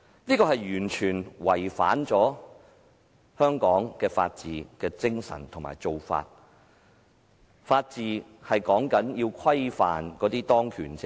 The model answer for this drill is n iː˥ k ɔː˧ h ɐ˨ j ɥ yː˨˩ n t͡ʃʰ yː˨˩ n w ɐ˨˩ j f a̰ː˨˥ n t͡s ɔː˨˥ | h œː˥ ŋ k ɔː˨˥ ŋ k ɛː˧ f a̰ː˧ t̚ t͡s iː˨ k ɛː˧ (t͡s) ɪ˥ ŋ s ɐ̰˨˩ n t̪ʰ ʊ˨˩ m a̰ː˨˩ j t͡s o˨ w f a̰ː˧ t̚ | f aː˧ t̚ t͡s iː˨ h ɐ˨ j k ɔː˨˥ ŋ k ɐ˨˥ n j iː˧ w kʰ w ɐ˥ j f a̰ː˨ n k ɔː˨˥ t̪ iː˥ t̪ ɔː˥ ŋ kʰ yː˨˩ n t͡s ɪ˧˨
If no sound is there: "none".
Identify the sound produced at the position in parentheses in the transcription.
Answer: t͡s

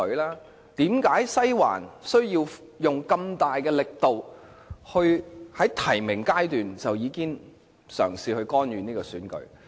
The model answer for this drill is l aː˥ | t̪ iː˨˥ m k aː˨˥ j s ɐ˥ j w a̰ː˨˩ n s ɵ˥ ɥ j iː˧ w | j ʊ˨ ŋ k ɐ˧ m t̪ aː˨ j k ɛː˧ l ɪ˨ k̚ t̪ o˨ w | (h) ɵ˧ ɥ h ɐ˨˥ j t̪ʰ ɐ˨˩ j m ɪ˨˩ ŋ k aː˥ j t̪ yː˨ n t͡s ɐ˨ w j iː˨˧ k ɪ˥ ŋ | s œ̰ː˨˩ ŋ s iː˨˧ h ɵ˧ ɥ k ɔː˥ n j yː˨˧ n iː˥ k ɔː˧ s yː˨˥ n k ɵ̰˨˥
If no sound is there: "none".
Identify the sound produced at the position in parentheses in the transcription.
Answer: h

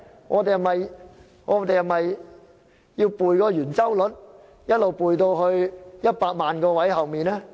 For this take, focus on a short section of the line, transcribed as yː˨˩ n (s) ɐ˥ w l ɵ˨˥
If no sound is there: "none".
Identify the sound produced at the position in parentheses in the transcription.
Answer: t͡s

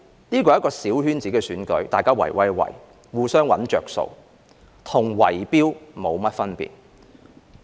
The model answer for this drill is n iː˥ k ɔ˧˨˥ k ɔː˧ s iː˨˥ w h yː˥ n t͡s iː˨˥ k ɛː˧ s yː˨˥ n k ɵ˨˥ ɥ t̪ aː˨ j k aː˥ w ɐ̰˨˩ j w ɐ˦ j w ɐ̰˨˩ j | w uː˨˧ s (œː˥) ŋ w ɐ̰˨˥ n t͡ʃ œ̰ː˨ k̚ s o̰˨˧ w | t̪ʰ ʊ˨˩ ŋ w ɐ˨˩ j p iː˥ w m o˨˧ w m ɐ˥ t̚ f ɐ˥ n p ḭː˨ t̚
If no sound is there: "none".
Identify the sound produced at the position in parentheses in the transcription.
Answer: œː˥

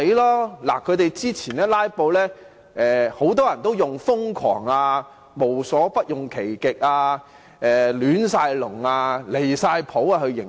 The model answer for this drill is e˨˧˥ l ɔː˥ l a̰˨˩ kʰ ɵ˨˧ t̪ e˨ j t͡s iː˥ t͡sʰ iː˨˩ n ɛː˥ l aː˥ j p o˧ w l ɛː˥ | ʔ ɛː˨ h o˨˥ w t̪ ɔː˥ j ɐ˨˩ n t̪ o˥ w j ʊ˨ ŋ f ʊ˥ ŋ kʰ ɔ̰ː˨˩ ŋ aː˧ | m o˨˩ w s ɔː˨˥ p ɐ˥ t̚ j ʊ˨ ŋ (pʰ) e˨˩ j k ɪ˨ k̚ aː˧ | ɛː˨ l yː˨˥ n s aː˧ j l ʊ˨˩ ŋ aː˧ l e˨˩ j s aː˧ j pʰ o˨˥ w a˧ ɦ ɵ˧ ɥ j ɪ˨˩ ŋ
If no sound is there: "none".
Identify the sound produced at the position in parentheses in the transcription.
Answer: kʰ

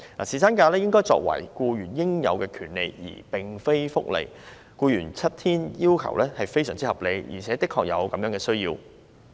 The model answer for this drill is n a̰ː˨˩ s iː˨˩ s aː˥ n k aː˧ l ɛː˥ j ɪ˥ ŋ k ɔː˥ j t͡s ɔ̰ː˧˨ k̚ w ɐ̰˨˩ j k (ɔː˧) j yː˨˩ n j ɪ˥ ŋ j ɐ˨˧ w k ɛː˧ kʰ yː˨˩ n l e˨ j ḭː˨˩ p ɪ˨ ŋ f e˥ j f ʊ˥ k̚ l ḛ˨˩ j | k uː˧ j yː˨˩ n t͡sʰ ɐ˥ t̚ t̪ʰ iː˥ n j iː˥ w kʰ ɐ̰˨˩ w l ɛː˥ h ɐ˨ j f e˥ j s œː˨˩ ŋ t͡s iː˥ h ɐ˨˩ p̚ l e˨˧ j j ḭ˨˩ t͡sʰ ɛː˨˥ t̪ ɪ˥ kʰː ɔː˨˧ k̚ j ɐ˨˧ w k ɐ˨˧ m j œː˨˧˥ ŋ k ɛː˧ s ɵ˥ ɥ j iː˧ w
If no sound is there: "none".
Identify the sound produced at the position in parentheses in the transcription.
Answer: uː˧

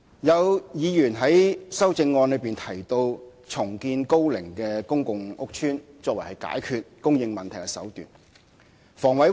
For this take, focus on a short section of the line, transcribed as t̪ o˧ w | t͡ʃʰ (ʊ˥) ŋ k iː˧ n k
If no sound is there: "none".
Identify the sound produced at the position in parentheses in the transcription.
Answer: ʊ˨˩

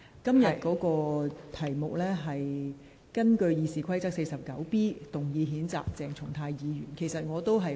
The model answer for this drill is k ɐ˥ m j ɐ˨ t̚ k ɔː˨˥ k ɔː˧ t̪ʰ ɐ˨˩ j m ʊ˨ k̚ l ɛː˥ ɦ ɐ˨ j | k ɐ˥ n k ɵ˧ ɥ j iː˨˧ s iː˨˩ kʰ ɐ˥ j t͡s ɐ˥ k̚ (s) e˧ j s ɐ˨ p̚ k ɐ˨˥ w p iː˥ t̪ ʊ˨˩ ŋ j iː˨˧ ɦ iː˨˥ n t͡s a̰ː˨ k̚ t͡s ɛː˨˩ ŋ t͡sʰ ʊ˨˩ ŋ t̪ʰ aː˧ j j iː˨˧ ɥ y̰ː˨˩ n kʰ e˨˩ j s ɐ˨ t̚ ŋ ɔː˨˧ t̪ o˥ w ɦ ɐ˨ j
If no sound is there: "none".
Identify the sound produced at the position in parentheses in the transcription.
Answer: s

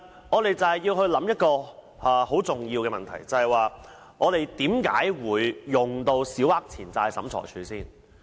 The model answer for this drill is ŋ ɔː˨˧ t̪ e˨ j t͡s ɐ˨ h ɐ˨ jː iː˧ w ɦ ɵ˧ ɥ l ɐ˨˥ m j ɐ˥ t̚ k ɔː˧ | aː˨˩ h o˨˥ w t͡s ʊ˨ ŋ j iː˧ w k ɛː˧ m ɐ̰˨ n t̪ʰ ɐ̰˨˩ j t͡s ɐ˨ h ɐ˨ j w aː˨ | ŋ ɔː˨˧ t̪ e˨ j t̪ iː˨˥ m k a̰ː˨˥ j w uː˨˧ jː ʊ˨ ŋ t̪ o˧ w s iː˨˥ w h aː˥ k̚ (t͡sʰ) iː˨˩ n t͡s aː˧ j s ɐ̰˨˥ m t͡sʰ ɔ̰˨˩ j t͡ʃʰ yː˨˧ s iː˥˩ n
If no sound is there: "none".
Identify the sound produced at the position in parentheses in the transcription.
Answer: t͡sʰ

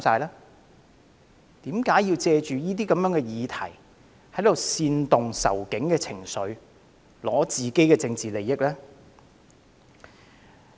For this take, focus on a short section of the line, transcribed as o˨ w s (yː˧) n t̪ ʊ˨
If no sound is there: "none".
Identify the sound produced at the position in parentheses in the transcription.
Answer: iː˧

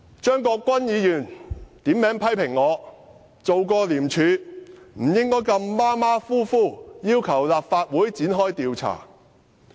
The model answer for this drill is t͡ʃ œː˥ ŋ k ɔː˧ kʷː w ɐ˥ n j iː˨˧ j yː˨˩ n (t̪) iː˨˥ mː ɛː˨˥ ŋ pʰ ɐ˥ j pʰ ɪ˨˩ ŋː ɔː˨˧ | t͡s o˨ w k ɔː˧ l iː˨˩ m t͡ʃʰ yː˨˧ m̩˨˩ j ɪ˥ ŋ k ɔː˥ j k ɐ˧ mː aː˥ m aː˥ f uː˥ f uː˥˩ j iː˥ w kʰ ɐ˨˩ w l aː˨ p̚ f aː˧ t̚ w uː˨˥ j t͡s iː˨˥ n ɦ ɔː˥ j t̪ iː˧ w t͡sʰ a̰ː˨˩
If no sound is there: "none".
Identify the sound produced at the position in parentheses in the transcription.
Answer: t̪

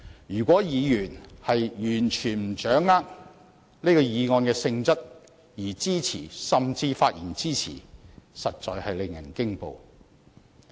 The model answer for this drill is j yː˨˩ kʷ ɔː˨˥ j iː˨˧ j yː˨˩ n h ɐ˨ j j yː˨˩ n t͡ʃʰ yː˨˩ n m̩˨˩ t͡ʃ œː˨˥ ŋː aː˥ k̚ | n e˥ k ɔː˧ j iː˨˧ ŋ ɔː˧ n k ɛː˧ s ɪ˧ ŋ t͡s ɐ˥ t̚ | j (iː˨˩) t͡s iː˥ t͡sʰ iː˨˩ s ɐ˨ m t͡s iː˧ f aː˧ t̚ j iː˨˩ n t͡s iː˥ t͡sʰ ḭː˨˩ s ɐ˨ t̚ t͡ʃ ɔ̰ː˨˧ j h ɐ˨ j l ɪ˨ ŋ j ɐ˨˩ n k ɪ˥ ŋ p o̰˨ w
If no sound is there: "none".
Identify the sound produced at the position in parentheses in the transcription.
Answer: iː˨˩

